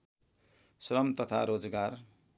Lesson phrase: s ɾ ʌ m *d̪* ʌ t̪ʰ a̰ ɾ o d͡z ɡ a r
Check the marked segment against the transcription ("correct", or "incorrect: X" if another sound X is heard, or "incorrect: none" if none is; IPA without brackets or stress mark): incorrect: t̪